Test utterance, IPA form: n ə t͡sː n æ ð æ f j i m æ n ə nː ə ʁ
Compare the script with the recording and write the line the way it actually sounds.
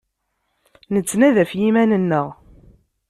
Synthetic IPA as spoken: n ə t͡sː n æ ð æ f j i m æ n ə nː ə ʁ